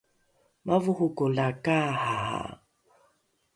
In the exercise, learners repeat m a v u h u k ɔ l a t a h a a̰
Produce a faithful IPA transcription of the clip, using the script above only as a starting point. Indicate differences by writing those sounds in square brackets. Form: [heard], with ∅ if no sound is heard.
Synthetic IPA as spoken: m a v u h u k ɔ l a [k] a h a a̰